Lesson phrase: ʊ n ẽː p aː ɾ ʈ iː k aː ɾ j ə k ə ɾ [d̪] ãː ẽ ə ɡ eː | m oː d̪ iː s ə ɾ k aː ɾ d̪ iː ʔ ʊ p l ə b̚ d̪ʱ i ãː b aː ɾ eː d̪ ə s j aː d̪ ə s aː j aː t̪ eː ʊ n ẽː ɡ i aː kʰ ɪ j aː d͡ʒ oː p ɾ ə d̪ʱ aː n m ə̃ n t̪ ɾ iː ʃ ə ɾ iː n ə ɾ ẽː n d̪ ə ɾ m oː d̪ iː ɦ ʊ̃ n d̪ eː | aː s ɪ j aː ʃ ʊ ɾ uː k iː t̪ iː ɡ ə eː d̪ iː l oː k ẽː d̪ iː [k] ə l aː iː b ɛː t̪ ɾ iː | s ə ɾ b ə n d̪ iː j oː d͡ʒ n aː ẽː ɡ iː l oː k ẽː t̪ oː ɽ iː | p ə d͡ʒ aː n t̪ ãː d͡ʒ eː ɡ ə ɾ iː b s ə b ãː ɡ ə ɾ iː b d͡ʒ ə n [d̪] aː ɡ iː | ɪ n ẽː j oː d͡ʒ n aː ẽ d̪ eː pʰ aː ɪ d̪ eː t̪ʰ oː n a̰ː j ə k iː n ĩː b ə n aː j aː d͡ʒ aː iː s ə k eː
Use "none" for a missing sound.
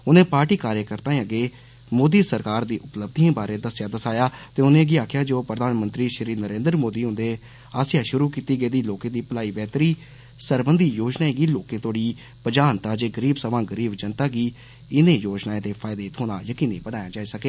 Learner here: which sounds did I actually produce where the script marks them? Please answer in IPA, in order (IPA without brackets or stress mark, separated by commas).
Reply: t̪, p, t̪